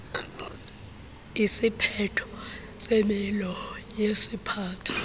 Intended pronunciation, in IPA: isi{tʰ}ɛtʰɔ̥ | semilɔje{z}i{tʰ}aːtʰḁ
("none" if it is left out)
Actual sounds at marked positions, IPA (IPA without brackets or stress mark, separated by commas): pʰ, s, pʰ